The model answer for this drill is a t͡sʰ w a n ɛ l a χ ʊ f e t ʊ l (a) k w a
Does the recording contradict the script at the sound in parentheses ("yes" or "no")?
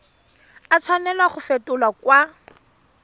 no